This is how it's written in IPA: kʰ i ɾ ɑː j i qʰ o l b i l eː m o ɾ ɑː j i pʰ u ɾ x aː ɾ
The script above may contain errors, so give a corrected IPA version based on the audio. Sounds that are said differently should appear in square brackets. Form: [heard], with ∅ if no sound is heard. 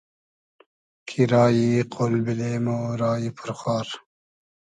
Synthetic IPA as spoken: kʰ i ɾ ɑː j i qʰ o l b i l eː m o ɾ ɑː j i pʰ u ɾ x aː ɾ